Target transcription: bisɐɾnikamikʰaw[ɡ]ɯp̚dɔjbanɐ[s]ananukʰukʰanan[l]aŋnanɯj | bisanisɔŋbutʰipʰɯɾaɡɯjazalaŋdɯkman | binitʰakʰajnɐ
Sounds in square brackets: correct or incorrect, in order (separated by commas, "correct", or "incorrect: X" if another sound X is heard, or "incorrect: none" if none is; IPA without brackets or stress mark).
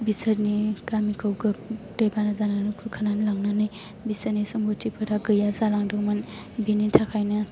correct, incorrect: z, correct